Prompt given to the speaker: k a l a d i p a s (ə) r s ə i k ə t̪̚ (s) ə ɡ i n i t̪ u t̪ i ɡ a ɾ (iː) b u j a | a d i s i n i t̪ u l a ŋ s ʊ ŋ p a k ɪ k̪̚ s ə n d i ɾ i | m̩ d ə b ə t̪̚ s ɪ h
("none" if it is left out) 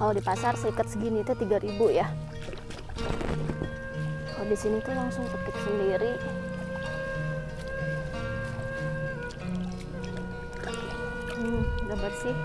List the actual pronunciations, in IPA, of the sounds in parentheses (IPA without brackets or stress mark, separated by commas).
a, s, i